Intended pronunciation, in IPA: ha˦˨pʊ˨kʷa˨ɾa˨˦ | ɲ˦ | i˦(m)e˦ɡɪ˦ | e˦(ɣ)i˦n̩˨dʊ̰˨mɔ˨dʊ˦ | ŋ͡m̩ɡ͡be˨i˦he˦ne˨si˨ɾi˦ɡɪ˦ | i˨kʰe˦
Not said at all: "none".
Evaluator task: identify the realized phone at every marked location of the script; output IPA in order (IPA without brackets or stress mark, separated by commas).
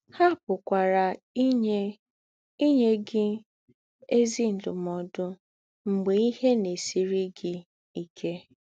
ɲ, z